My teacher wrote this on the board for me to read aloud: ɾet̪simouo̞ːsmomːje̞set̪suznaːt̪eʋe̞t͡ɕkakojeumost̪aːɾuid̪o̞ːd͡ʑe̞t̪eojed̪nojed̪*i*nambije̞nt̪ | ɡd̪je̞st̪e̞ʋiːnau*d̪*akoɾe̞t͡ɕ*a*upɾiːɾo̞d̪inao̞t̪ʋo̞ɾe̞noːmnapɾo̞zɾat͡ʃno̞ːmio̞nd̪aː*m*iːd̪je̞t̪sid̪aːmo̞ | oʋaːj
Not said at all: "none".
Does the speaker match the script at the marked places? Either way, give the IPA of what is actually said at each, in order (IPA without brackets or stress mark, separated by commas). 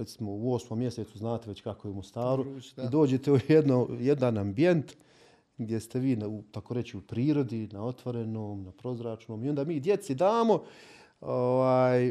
a, t̪, i, m